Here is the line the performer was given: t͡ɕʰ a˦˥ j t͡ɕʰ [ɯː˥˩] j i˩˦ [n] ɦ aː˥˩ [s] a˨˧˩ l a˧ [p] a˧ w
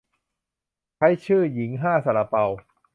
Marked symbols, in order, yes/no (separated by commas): yes, no, yes, yes